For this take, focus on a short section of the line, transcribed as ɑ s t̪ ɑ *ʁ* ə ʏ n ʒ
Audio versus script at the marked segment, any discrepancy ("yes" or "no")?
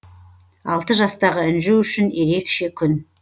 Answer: no